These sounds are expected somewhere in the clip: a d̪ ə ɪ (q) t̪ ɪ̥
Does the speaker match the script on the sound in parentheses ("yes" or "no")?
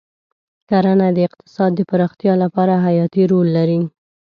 yes